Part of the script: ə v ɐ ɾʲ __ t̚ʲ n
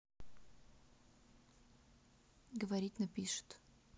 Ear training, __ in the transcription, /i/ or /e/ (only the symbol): i